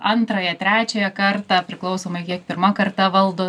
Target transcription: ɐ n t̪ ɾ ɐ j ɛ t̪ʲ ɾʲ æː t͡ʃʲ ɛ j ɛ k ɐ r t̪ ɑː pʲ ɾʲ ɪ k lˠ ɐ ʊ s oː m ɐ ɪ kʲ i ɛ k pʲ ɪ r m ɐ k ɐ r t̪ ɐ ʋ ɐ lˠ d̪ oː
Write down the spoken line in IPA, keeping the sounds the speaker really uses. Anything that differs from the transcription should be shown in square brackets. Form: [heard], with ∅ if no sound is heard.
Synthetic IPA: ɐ n t̪ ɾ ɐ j ɛ t̪ʲ ɾʲ æː t͡ʃʲ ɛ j ɛ k ɐ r t̪ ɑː pʲ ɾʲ ɪ k lˠ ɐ ʊ s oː m ɐ ɪ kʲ i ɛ k pʲ ɪ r m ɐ k ɐ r t̪ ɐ ʋ ɐ lˠ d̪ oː